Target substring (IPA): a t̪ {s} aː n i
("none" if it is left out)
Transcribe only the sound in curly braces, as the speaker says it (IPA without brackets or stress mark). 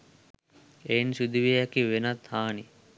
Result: h